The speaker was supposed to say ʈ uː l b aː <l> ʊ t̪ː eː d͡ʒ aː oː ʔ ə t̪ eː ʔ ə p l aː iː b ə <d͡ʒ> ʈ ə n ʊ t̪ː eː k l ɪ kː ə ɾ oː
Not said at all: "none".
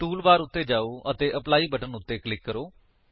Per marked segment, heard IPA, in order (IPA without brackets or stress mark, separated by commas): ɾ, none